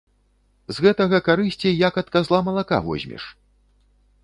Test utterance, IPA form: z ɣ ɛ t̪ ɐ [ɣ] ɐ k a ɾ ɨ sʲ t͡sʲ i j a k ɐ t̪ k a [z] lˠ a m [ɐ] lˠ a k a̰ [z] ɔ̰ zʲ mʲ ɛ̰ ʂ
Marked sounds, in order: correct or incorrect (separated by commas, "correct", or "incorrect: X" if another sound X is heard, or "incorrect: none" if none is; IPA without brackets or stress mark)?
correct, correct, correct, incorrect: v